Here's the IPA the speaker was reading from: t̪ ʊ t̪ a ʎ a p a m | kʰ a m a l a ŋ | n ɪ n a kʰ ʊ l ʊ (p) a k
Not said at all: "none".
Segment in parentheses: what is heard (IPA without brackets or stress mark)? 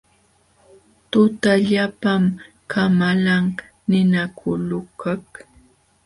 k